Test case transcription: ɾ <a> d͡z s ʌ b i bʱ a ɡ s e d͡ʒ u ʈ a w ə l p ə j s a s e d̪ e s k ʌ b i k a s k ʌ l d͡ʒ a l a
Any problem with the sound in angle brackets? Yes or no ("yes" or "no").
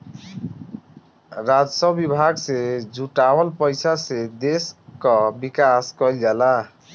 no